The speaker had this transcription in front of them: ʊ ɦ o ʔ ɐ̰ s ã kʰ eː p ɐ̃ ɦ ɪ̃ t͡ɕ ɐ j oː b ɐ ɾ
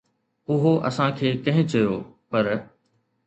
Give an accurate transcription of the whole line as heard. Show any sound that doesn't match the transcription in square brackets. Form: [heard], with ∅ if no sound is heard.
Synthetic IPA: ʊ ɦ o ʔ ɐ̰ s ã kʰ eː [k] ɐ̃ ɦ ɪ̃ t͡ɕ ɐ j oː [p] ɐ ɾ

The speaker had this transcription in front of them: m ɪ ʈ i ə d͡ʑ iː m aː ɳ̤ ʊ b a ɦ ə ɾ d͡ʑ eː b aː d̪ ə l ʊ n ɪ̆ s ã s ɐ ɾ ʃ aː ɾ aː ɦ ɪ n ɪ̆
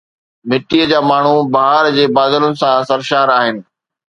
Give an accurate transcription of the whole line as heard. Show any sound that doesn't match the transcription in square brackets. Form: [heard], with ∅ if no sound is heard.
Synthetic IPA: m ɪ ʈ i ə d͡ʑ [aː] m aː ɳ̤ [u] b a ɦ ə ɾ d͡ʑ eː b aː d̪ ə l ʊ n ɪ̆ s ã s ɐ ɾ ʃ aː ɾ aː ɦ ɪ n ɪ̆

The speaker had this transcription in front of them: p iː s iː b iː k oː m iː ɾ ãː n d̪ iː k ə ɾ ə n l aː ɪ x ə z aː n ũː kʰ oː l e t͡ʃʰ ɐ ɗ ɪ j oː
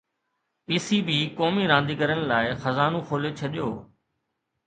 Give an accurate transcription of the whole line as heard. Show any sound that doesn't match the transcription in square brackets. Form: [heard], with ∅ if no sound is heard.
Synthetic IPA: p iː s iː b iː k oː m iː ɾ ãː n d̪ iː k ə ɾ ə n l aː ɪ x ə z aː n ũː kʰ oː l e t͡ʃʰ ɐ ɗ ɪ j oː

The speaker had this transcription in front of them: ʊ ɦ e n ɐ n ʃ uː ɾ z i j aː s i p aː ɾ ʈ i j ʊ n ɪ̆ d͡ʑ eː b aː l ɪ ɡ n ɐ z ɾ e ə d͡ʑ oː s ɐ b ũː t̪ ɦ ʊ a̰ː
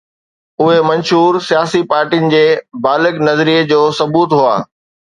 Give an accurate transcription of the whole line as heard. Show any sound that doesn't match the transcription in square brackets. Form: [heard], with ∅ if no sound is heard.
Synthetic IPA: ʊ ɦ e [m] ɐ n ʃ uː ɾ [s] i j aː s i p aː ɾ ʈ i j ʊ n ɪ̆ d͡ʑ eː b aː l ɪ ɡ n ɐ z ɾ [i] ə d͡ʑ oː s ɐ b [uː] t̪ ɦ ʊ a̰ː

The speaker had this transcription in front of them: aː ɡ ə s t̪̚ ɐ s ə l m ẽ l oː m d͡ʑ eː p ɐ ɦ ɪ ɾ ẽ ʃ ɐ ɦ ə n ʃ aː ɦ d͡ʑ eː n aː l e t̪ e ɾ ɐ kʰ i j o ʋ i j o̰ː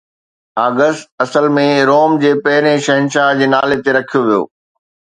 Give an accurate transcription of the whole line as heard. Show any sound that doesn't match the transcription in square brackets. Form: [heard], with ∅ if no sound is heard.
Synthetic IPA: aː ɡ ə s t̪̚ ɐ s ə l m ẽ [ɾ] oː m d͡ʑ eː p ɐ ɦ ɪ ɾ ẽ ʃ ɐ ɦ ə n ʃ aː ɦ d͡ʑ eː n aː l e t̪ e ɾ ɐ kʰ i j o ʋ i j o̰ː

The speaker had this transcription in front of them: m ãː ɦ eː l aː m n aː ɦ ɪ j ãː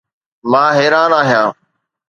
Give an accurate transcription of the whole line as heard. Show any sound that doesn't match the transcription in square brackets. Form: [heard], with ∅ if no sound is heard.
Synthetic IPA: m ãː ɦ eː [ɾ] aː [∅] n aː ɦ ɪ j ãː

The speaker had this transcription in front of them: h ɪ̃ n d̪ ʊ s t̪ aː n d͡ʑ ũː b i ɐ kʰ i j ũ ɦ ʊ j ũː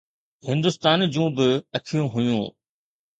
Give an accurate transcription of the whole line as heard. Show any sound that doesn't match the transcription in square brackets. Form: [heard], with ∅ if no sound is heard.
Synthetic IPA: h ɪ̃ n d̪ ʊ s t̪ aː n d͡ʑ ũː b [ɪ] ɐ kʰ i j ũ ɦ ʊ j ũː

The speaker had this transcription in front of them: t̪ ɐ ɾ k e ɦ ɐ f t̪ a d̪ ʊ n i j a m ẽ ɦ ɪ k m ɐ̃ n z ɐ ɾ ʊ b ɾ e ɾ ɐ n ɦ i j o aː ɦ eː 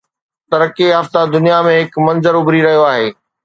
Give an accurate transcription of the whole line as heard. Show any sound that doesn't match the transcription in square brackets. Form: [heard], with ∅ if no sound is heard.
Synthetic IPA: t̪ ɐ ɾ k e ɦ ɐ f t̪ a d̪ ʊ n i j a m ẽ ɦ ɪ k m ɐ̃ n z [ə] ɾ ʊ b ɾ [i] ɾ ɐ [∅] ɦ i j o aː ɦ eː

